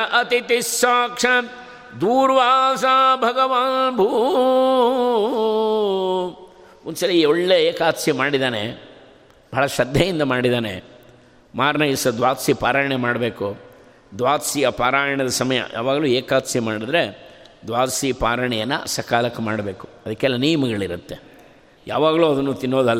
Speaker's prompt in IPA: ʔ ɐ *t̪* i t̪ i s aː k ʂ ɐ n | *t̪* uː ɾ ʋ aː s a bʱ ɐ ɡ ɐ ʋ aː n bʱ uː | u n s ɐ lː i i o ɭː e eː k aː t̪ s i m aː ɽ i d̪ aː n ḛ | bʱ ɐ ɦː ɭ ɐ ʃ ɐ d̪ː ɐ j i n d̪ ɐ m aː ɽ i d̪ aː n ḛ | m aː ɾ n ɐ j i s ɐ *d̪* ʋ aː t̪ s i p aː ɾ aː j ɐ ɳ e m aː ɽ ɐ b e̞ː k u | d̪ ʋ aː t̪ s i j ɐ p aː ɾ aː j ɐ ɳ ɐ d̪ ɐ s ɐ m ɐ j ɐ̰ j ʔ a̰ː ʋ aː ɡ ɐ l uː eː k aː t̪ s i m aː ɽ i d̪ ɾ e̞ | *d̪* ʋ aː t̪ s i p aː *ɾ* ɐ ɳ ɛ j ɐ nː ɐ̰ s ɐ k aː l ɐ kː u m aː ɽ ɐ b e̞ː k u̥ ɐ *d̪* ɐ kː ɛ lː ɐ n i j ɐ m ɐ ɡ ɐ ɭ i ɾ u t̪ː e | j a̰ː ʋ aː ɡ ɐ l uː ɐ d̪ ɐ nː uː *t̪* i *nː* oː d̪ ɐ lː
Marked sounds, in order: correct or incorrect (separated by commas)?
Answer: correct, incorrect, correct, correct, correct, correct, correct, correct